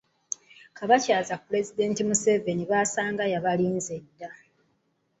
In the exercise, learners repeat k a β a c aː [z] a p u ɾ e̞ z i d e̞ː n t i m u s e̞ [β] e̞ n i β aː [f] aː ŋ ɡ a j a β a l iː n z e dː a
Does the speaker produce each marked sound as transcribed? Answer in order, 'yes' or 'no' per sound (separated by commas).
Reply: yes, no, no